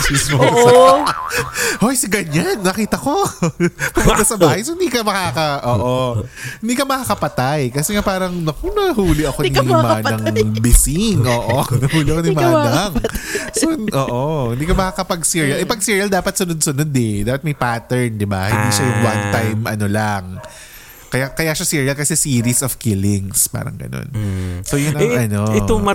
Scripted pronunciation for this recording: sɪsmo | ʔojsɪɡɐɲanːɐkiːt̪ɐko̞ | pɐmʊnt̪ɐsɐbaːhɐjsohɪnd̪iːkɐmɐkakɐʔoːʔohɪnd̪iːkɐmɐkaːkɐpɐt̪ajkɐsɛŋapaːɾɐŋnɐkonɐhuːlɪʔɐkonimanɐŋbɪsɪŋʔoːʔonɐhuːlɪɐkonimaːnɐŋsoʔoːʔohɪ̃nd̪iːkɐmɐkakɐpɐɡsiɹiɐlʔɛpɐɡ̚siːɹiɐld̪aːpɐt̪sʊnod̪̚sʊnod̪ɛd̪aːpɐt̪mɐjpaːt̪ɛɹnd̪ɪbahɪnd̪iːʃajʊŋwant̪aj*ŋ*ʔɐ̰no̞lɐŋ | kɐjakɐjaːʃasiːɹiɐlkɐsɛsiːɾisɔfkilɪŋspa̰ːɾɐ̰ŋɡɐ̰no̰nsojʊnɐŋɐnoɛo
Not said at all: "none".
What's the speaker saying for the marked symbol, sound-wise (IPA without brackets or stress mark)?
m